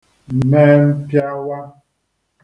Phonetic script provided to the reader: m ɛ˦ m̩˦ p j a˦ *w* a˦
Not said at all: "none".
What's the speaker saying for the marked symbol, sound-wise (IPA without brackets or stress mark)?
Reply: w